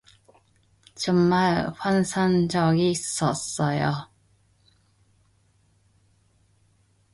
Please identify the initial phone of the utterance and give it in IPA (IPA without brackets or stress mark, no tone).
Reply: t͡ɕ